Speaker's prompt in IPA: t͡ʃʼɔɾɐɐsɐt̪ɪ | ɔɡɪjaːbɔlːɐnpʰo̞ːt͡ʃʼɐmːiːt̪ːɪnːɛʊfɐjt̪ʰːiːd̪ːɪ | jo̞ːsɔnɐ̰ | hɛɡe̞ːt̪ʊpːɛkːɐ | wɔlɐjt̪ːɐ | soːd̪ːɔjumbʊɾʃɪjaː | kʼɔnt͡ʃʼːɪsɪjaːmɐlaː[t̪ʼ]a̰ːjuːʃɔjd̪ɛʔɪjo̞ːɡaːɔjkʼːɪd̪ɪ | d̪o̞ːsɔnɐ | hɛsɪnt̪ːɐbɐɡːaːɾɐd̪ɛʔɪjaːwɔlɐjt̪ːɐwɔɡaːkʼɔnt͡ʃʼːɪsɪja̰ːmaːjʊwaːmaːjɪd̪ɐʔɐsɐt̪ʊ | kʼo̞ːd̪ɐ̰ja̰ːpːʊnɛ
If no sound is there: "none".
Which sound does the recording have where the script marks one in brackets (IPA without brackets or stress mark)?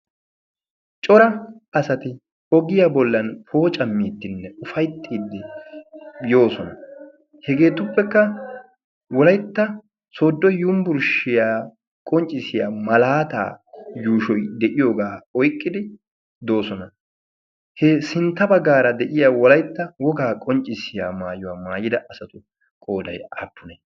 t̪